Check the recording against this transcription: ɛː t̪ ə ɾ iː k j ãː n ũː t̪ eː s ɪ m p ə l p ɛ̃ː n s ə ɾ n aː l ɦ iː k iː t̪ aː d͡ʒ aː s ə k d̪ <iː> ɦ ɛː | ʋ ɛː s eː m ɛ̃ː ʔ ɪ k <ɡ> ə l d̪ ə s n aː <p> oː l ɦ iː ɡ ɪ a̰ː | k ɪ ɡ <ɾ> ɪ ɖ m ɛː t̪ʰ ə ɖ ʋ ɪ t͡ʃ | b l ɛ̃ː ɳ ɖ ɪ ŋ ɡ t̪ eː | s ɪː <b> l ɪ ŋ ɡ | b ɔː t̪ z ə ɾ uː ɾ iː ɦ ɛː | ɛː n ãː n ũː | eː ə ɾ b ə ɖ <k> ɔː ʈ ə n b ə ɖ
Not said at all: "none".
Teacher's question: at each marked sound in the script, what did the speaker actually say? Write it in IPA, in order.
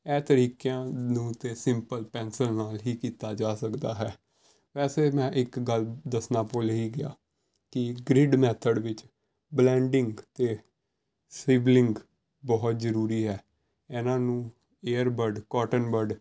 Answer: aː, ɡ, p, ɾ, b, k

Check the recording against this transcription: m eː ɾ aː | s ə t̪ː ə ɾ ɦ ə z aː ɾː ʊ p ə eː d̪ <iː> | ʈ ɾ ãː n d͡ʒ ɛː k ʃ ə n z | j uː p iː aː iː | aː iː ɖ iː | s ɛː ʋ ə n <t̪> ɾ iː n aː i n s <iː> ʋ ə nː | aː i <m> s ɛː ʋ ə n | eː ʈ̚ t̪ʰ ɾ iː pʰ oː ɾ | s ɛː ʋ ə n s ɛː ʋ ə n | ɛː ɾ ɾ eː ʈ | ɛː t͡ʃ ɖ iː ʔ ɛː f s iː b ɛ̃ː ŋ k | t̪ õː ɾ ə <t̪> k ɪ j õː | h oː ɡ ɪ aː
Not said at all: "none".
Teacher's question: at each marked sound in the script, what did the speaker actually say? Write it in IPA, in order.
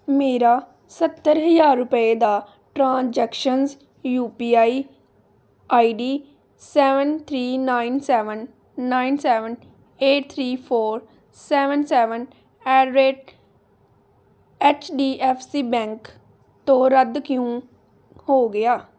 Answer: aː, t̪ʰ, ɛː, n, d̪

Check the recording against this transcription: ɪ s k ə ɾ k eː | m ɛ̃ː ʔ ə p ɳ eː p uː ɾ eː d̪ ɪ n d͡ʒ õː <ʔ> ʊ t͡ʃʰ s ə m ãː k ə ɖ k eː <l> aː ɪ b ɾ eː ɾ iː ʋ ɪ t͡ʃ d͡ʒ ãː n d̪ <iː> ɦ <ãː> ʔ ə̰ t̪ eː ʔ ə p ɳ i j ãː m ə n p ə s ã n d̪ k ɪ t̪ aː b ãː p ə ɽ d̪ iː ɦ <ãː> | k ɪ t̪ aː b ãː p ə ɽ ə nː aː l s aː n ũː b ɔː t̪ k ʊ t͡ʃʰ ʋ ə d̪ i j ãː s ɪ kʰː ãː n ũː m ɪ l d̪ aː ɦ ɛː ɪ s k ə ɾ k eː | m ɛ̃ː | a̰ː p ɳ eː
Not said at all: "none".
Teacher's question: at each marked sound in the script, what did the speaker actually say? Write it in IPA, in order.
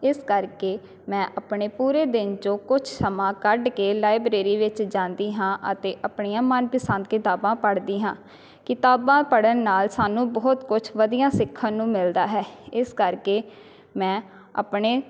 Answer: k, l, iː, ãː, ãː

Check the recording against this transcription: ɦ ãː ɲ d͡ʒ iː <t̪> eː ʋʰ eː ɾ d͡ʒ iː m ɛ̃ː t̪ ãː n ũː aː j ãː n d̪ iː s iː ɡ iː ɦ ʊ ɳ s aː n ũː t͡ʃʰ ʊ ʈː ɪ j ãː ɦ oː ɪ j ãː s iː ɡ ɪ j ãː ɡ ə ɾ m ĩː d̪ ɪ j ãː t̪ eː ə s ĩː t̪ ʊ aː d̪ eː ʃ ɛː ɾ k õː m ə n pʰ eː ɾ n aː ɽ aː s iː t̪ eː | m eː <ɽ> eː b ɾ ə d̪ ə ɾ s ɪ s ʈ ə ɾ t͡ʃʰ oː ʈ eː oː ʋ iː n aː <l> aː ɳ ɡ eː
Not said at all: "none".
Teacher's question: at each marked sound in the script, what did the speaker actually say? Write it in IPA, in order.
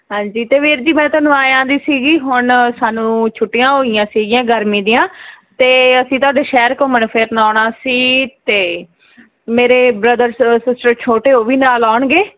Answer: t̪, ɾ, l

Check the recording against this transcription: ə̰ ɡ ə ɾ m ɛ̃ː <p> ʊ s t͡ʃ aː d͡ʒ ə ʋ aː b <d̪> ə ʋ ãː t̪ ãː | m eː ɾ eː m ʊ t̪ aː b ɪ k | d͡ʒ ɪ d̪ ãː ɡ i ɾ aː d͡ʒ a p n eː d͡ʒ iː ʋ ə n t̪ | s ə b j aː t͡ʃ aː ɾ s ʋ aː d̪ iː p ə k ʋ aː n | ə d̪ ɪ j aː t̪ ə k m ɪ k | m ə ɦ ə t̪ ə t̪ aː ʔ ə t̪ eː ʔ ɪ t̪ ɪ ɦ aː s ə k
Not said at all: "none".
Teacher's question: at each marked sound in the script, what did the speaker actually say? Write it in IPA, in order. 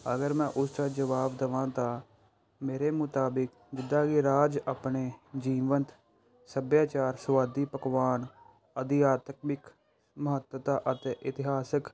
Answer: ʔ, d̪

